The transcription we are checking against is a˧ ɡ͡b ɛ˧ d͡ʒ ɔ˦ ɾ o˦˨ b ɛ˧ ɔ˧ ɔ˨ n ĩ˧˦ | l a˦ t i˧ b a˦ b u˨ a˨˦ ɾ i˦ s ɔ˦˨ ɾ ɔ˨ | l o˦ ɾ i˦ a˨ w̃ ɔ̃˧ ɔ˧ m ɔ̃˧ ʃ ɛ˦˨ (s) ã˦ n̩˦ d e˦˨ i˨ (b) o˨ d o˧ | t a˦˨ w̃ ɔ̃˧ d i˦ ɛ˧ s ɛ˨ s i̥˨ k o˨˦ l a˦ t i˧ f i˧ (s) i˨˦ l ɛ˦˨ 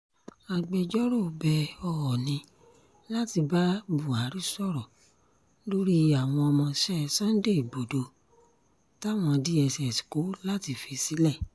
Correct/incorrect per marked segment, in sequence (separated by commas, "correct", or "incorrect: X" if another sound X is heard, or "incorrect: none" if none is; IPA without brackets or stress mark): correct, correct, correct